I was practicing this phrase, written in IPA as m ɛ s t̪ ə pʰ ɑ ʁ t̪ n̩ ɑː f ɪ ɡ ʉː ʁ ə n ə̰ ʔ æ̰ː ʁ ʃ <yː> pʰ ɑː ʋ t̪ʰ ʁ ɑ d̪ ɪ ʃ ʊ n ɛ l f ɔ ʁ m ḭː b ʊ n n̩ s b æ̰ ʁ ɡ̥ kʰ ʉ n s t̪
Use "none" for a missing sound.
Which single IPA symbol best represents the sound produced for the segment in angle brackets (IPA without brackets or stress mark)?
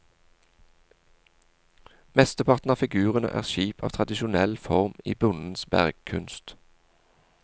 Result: iː